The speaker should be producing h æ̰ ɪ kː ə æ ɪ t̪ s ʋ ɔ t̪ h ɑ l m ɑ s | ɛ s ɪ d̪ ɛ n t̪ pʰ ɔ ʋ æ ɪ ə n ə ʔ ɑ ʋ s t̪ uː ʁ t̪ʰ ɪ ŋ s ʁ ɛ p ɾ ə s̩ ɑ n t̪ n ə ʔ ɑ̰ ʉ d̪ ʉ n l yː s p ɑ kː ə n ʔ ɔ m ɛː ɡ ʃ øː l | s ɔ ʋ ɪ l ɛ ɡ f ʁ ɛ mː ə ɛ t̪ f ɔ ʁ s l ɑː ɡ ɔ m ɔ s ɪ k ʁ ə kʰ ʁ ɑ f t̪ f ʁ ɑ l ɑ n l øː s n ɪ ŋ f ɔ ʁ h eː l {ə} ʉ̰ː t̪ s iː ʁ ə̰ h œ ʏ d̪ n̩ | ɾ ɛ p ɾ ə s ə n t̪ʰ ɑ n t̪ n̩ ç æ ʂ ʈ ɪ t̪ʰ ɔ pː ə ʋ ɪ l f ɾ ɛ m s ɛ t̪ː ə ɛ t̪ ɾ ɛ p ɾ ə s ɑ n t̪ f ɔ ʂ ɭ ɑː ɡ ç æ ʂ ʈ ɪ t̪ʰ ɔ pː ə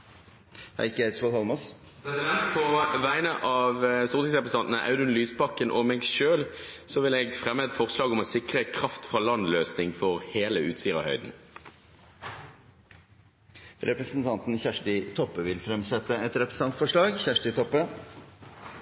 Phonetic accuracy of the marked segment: correct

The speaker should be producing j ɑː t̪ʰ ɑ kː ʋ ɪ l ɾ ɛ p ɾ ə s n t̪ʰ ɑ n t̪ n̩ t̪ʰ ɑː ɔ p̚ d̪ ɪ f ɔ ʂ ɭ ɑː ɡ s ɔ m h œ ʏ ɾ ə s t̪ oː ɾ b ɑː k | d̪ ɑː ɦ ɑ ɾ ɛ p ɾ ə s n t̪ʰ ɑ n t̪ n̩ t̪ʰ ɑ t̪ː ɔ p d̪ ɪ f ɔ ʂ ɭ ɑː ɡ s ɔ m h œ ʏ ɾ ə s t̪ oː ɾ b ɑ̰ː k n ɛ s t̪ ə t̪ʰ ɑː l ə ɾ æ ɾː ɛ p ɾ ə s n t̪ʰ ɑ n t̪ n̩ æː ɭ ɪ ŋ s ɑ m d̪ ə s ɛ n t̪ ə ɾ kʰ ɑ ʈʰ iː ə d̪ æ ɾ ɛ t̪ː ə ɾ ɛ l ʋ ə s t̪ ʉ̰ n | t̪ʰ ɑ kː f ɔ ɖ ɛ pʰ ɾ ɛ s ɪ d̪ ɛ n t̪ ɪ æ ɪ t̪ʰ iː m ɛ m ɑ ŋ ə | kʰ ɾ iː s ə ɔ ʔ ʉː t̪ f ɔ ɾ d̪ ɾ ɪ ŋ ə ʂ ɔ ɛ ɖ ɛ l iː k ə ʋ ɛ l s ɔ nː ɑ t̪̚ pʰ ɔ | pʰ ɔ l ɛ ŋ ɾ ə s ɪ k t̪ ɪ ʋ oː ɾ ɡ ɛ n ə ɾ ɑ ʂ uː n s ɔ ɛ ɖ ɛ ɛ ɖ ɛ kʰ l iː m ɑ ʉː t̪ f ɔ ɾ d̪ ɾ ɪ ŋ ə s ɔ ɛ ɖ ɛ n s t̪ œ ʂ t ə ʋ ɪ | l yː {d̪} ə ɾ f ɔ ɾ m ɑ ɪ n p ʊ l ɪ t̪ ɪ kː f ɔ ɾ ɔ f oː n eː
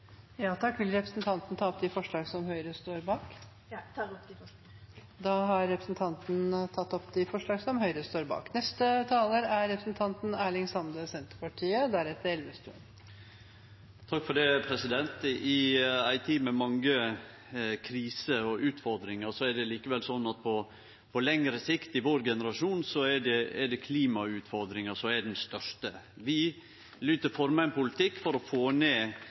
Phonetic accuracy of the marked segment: incorrect: t̪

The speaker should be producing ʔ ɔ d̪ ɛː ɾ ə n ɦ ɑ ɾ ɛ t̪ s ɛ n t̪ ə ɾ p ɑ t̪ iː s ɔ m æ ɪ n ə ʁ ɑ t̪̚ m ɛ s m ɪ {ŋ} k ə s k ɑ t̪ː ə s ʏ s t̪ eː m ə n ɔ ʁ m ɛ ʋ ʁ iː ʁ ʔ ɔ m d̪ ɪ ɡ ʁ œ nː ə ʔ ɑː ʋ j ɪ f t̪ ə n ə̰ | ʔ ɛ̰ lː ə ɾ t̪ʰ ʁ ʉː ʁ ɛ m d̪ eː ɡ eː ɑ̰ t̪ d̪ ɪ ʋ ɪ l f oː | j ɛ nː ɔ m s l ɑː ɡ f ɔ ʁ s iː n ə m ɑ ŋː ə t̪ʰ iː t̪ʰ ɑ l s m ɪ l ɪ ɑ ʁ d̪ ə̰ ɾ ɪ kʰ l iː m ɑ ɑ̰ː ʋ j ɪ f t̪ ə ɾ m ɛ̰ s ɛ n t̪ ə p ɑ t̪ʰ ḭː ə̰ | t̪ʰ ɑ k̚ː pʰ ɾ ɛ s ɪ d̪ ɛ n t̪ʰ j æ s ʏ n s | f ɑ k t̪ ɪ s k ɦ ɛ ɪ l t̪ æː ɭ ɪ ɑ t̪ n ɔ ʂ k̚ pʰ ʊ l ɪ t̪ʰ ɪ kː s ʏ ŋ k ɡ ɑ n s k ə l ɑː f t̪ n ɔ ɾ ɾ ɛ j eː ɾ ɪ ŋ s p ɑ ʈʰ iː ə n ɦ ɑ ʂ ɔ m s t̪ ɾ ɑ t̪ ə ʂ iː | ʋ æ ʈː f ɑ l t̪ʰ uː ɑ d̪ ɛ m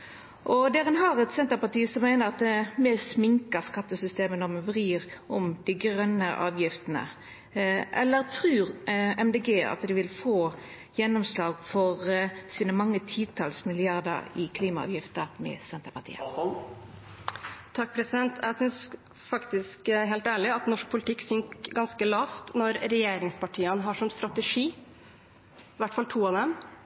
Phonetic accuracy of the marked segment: correct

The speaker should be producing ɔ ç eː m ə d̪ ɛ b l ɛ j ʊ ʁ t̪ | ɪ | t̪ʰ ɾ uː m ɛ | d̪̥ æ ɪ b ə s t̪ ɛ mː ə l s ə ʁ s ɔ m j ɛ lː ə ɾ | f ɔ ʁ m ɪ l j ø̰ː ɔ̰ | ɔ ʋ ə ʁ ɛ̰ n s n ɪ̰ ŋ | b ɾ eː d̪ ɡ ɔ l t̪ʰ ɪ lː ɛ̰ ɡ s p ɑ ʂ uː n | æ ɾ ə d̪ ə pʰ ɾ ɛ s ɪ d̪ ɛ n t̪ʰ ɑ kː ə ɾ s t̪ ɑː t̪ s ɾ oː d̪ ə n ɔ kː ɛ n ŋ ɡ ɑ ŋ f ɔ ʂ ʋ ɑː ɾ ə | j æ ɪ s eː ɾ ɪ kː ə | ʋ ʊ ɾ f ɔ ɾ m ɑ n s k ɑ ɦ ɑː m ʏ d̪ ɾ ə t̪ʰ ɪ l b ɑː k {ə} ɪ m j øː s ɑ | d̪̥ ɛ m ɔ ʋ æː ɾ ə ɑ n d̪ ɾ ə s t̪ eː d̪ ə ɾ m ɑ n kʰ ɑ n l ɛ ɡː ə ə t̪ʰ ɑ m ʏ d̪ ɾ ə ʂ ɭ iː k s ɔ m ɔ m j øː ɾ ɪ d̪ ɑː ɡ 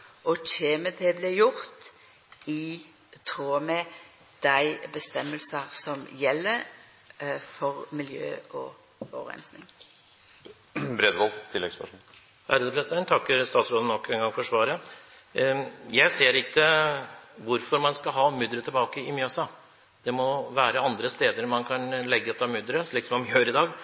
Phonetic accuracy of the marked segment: correct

